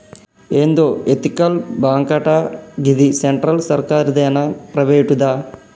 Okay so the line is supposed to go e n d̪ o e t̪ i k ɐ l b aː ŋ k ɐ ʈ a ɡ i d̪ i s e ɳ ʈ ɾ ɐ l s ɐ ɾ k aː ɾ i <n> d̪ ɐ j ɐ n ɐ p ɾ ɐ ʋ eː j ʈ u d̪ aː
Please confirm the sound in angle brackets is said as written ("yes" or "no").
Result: no